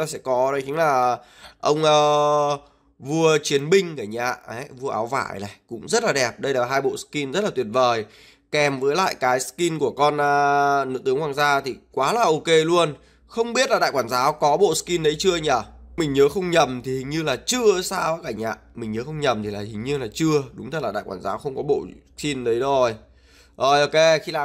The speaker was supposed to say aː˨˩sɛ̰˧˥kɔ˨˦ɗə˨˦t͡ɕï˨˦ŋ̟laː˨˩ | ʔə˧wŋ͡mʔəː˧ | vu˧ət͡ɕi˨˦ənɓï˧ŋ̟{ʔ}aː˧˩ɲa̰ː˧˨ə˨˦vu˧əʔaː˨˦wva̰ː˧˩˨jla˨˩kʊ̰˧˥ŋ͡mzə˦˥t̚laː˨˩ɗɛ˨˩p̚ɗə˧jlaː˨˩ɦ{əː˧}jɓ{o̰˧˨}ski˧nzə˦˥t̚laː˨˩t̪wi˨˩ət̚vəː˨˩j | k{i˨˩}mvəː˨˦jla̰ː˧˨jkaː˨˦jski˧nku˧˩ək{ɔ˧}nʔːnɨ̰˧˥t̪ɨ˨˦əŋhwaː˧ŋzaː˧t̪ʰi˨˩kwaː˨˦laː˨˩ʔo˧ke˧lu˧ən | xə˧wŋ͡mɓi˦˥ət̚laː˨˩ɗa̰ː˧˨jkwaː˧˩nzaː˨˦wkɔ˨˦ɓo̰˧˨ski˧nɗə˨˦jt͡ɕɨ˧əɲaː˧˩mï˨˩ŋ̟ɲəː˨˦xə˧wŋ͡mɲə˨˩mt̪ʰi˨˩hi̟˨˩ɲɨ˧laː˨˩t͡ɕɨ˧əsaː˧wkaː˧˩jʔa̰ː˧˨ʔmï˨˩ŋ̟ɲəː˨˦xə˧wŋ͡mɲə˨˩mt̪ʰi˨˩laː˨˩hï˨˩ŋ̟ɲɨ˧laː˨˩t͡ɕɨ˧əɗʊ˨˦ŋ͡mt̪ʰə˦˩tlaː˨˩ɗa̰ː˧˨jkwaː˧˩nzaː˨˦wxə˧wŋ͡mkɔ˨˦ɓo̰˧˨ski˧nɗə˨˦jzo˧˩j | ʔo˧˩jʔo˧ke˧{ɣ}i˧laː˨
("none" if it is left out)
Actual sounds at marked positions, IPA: k, aː˧, o̰˧˨, ɛ˨˩, ɔ˧, x

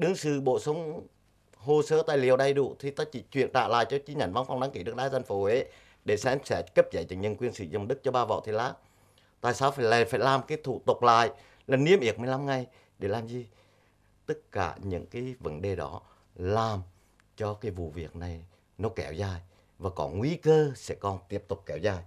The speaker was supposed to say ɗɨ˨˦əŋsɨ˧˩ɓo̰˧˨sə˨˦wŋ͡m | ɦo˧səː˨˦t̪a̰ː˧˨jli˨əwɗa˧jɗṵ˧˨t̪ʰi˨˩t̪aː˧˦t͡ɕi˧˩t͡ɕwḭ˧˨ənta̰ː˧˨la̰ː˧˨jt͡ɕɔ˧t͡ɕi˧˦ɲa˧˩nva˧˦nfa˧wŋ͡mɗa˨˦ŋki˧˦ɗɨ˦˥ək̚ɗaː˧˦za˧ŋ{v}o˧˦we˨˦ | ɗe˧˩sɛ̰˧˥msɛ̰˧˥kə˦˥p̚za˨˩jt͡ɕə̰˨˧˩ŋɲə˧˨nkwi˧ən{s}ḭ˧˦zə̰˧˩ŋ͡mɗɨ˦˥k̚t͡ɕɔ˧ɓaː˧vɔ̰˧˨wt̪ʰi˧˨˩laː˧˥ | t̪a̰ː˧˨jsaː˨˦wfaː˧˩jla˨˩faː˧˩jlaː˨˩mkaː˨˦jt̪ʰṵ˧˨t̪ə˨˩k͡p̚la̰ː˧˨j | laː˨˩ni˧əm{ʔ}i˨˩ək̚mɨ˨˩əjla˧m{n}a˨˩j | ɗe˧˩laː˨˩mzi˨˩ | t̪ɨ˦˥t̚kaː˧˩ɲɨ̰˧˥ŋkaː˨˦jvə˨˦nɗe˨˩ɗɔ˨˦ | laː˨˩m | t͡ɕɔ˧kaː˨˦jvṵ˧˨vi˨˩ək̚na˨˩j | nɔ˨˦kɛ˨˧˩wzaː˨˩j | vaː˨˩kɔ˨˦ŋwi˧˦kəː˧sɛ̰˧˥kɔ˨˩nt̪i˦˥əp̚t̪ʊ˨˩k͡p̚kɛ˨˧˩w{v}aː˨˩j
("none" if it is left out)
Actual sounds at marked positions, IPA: f, s, ʔ, ŋ, z

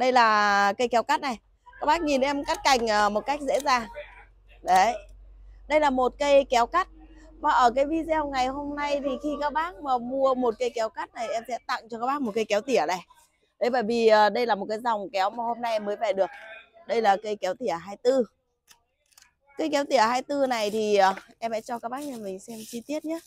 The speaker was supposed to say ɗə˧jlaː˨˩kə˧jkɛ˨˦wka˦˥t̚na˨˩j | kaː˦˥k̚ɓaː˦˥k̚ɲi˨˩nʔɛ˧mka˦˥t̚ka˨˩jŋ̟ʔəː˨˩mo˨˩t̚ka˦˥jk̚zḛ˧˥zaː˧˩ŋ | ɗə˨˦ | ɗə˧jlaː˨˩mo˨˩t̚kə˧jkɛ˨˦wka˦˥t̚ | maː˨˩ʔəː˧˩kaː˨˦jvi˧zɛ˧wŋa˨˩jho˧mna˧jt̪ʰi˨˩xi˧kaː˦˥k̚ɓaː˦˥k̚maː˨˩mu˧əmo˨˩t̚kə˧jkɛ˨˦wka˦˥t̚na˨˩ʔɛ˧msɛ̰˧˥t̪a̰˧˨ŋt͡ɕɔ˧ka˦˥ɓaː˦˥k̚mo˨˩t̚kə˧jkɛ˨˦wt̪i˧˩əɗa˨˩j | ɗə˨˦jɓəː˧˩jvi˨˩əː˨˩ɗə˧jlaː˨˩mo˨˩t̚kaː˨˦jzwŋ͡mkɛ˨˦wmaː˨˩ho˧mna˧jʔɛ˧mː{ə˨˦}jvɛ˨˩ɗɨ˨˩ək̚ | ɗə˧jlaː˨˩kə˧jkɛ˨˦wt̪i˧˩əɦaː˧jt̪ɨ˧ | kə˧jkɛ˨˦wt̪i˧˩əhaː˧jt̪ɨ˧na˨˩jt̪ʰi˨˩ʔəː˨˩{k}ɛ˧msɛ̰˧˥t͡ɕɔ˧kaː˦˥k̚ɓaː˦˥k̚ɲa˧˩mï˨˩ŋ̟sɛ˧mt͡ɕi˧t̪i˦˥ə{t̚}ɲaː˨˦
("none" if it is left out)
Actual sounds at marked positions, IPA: əː˨˦, ʔ, t̚

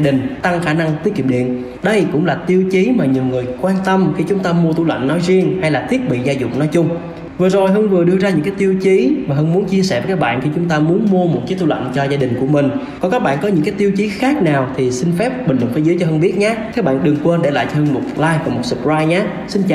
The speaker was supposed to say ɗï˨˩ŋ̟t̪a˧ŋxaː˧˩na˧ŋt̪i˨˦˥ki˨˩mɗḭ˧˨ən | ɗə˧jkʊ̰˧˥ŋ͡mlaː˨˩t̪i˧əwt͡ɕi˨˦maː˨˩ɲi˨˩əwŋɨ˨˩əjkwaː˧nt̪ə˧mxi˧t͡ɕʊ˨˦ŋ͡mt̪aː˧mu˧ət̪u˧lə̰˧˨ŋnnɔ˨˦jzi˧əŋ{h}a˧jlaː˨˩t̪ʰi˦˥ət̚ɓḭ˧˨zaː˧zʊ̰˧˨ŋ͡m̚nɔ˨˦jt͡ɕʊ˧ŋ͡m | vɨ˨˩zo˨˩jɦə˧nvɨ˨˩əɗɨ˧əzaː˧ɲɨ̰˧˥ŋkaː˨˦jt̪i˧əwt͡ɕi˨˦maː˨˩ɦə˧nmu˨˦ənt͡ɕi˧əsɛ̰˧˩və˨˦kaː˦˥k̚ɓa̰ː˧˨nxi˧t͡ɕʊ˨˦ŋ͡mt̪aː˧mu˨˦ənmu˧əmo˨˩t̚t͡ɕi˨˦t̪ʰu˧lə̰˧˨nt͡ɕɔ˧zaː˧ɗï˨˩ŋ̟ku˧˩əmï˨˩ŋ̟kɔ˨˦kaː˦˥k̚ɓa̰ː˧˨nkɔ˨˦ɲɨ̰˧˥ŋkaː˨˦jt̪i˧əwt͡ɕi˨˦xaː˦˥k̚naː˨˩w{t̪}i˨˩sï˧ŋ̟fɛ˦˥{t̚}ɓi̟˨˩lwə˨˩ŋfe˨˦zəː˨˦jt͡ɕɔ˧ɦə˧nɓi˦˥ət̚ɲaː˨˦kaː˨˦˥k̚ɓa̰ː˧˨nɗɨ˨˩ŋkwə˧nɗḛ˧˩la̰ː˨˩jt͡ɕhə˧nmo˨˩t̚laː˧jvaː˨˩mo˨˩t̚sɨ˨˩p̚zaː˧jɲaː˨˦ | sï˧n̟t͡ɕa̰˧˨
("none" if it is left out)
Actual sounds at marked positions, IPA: h, t̪ʰ, p̚

